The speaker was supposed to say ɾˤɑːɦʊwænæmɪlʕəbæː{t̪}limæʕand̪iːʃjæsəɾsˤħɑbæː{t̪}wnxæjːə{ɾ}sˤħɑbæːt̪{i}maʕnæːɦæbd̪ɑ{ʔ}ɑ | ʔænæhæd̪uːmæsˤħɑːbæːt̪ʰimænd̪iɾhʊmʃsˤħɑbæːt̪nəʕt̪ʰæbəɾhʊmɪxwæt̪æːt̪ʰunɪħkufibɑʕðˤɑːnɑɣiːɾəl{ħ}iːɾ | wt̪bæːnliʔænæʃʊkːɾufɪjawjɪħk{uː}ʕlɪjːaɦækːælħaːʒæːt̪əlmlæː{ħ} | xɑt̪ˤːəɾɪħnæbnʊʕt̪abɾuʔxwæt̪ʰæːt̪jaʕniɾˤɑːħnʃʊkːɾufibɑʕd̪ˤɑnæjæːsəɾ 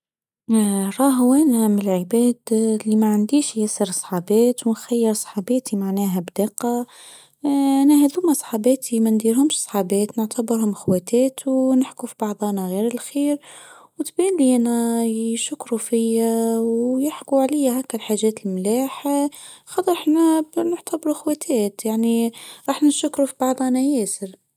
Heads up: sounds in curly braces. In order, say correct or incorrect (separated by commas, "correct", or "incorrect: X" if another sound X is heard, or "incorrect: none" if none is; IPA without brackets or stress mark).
incorrect: d̪, correct, correct, correct, incorrect: q, incorrect: x, incorrect: u, correct